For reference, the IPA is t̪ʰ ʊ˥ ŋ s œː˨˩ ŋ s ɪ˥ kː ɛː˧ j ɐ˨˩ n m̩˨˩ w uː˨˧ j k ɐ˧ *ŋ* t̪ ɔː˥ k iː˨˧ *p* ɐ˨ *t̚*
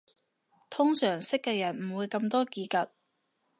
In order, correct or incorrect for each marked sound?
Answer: incorrect: m, incorrect: k, correct

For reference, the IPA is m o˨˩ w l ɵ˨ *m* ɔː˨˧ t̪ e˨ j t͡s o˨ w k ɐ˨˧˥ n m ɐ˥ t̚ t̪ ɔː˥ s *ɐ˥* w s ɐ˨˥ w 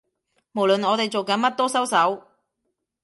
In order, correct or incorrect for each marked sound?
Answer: incorrect: n, correct

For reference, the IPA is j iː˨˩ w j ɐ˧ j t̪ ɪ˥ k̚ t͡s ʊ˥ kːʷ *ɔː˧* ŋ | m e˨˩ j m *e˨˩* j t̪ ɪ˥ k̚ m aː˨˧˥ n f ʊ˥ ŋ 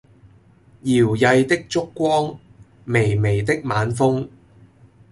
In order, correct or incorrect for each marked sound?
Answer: incorrect: ɔː˥, correct

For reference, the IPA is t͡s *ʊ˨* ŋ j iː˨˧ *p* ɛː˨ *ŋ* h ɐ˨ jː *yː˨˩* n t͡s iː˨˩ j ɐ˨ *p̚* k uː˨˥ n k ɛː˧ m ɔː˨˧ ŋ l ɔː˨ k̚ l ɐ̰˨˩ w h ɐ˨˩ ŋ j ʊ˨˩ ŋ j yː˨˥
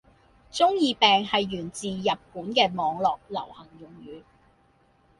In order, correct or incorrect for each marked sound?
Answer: incorrect: ʊ˥, correct, correct, correct, correct

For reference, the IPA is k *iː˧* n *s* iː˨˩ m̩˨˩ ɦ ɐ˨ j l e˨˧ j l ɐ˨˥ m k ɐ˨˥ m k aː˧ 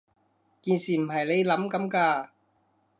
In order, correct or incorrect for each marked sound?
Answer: correct, correct

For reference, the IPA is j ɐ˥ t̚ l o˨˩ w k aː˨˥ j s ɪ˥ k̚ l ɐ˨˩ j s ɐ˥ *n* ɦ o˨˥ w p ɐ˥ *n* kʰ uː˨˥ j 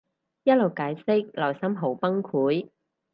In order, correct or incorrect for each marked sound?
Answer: incorrect: m, incorrect: ŋ

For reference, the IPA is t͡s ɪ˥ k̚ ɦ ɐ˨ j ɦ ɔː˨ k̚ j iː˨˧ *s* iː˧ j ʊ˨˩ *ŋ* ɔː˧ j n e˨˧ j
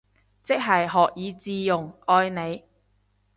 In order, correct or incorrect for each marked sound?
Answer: incorrect: t͡s, correct

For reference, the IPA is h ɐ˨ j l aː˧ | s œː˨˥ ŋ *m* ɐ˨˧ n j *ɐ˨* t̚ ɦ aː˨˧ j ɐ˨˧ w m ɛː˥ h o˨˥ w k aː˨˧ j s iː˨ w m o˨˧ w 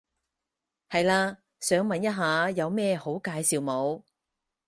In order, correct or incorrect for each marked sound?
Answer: correct, incorrect: ɐ˥

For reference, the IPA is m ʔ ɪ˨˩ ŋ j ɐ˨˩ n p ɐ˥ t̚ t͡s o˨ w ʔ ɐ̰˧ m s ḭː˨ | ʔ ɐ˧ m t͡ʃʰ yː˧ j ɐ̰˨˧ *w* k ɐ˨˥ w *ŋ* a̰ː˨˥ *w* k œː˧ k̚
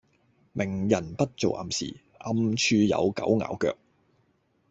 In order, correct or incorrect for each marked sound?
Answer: correct, correct, correct

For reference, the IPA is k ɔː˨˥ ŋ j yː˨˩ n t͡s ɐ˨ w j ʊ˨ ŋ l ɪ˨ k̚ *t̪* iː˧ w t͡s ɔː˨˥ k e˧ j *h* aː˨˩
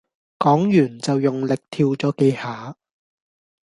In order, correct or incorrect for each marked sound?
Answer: incorrect: t̪ʰ, correct

